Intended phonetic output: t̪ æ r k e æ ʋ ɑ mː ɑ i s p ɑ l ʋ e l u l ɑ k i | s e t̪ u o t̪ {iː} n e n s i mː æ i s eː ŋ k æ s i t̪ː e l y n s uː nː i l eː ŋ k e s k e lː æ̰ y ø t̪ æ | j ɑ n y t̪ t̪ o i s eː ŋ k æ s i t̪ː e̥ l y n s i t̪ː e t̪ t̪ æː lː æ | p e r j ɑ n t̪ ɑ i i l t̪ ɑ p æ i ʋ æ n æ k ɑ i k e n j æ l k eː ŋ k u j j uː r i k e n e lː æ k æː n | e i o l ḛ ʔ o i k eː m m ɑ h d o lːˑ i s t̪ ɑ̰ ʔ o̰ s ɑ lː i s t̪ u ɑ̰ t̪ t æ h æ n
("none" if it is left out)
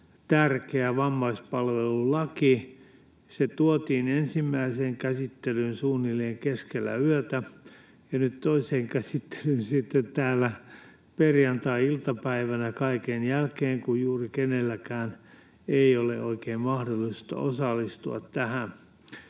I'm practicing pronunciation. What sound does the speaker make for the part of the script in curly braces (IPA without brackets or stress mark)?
iː